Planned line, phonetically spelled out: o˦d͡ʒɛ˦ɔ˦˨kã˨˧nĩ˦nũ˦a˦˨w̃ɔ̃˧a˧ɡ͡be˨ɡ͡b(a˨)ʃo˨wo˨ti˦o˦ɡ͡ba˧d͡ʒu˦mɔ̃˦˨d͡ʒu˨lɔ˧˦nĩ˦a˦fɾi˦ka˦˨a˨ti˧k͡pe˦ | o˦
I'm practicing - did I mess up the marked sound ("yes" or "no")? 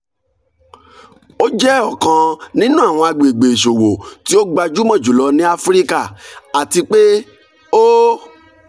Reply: yes